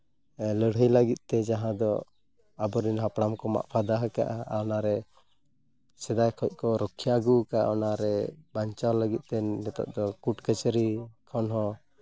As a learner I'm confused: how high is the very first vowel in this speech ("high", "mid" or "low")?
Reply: mid